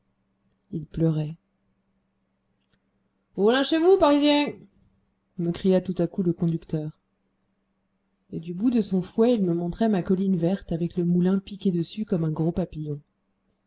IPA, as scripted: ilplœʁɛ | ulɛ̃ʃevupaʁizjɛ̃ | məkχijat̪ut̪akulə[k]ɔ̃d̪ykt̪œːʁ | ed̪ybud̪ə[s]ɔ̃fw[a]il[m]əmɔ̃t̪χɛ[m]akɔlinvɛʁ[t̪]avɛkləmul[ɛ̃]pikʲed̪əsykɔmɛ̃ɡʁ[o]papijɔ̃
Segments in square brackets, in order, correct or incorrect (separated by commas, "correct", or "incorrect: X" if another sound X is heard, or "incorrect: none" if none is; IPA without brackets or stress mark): correct, correct, incorrect: ɛ, correct, correct, correct, correct, correct